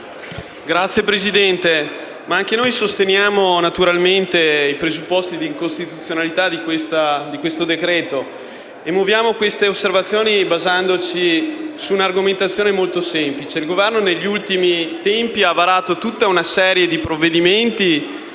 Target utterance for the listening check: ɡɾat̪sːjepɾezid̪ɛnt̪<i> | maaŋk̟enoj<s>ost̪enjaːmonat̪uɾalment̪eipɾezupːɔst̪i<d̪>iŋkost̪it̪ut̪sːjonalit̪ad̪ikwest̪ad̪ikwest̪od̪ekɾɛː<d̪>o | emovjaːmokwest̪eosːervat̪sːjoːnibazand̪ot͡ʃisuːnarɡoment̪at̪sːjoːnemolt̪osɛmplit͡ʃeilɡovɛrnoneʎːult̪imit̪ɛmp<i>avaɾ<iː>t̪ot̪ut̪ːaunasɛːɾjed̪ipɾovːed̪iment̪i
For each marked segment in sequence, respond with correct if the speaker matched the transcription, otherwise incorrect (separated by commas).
incorrect, correct, correct, incorrect, correct, incorrect